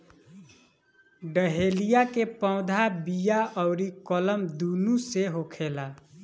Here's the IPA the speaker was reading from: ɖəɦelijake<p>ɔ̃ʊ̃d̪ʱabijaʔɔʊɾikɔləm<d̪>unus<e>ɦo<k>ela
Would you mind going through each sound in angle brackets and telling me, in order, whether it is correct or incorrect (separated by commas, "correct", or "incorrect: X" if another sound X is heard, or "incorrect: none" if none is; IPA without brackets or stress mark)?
correct, correct, correct, incorrect: kʰ